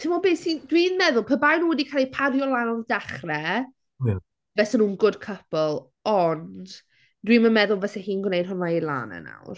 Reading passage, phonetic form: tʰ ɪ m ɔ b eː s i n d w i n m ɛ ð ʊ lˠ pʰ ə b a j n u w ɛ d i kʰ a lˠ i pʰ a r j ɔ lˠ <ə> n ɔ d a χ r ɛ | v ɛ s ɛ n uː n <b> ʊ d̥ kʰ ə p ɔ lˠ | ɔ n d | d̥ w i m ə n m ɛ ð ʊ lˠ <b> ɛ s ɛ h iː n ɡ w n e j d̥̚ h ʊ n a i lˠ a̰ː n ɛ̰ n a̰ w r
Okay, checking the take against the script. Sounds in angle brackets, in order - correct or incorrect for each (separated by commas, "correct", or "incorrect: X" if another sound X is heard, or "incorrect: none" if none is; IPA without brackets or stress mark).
incorrect: a, incorrect: ɡ, incorrect: v